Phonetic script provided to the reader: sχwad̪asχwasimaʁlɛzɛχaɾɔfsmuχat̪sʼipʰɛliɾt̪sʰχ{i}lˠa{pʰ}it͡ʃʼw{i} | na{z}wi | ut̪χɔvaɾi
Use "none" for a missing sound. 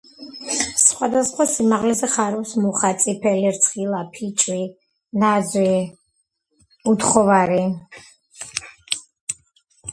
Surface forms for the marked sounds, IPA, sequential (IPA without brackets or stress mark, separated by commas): i, pʰ, i, z